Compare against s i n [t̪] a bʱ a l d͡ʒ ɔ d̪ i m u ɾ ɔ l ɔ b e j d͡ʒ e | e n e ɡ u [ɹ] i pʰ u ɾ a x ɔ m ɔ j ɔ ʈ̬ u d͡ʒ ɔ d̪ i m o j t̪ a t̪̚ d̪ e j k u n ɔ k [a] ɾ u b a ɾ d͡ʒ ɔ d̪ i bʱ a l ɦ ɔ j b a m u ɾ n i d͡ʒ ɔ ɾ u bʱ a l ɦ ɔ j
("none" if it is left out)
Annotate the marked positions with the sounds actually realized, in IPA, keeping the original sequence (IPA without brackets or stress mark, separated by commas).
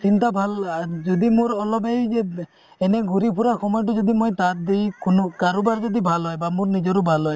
t̪, ɾ, a